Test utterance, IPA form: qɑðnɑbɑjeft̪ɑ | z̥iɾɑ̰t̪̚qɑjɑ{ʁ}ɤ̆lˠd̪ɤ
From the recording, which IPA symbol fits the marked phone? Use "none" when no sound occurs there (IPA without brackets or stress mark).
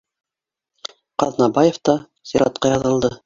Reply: ð